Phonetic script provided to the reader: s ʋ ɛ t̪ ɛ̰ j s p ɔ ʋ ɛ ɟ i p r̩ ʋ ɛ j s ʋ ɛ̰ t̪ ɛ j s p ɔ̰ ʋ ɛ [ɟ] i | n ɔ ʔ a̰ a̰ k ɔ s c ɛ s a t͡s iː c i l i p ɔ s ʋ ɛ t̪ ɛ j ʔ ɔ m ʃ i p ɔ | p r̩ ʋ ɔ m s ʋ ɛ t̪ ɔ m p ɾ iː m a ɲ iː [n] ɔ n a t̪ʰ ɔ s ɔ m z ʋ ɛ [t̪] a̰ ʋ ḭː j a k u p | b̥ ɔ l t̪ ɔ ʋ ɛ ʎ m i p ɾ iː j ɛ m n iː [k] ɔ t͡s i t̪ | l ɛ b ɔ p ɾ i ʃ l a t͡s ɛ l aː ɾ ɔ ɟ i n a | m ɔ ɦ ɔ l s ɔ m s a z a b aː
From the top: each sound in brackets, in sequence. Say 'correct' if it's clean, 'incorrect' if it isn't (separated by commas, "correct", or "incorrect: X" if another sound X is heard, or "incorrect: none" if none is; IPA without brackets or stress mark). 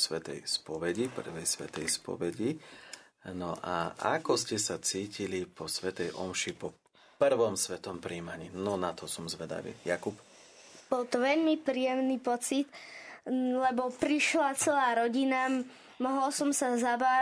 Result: correct, correct, incorrect: d̪, incorrect: p